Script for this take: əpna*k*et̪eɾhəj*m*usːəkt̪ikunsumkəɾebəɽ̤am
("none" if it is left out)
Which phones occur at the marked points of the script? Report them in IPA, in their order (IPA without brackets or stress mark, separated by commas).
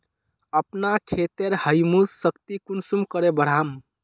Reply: kʰ, m